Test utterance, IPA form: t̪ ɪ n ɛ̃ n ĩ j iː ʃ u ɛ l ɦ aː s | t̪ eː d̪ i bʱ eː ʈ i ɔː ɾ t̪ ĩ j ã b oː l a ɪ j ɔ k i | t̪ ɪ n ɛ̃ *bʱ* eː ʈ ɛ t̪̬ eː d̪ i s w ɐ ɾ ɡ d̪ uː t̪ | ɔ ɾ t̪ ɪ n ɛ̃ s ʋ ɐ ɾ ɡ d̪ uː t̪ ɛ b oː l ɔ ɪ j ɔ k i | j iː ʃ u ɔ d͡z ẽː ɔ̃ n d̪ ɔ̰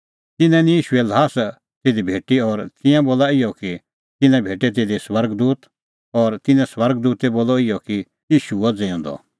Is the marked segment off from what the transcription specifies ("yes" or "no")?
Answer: no